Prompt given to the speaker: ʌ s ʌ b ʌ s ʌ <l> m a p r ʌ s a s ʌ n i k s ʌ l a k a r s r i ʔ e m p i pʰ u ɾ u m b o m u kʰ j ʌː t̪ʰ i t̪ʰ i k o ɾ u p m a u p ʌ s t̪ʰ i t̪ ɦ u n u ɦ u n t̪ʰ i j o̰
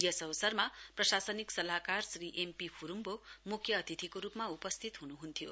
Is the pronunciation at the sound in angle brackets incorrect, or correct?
incorrect